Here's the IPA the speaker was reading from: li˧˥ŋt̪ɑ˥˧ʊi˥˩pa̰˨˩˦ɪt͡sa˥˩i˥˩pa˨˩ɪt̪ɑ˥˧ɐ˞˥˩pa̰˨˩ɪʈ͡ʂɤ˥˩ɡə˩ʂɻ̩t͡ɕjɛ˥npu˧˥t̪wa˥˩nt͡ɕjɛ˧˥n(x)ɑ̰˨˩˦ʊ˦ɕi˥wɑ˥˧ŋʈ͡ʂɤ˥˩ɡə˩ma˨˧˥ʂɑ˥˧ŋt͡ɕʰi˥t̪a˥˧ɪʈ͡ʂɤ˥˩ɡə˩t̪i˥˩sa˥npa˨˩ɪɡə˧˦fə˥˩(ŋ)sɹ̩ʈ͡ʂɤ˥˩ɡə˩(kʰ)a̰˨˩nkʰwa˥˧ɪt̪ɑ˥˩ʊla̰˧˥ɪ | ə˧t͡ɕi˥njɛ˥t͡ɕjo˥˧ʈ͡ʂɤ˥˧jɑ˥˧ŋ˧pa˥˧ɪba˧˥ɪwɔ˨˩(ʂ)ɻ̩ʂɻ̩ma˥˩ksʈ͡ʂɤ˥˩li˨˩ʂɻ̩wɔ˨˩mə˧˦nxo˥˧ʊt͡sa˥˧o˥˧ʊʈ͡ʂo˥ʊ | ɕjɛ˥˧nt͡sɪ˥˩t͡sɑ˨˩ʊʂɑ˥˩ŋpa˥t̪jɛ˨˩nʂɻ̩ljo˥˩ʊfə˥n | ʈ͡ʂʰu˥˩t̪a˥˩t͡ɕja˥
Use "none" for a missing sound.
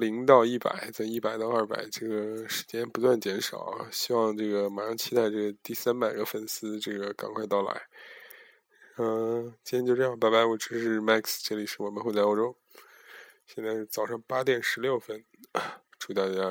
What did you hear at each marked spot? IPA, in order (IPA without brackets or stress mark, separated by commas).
ʂ, n, k, ʈ͡ʂ